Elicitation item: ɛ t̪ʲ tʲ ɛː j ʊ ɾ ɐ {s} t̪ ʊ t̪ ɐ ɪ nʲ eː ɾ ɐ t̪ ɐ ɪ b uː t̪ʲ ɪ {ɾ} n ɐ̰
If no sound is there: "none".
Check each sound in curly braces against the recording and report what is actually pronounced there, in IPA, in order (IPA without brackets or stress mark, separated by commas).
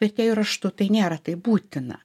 ʃ, none